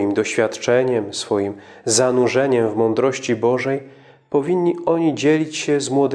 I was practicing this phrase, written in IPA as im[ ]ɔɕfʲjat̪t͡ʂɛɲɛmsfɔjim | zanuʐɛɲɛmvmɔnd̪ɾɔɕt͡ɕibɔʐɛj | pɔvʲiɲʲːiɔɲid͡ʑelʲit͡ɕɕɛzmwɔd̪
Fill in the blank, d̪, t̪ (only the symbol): d̪